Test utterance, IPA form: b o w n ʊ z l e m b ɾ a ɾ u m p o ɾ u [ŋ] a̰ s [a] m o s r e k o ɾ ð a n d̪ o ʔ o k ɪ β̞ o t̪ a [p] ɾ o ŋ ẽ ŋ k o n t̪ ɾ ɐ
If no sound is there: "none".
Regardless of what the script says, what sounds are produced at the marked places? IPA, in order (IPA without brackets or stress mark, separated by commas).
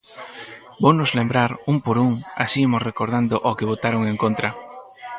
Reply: ŋ, i, none